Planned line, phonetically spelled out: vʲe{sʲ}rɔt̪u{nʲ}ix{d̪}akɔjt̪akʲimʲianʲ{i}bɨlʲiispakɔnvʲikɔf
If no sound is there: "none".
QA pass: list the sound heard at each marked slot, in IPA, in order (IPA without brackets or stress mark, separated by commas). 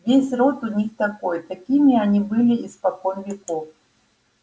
sʲ, nʲ, t̪, i